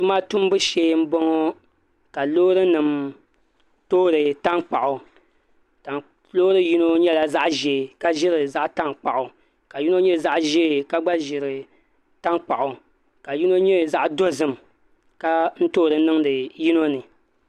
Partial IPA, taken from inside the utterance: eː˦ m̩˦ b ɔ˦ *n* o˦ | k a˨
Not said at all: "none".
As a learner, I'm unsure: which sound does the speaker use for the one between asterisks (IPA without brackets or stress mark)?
ŋ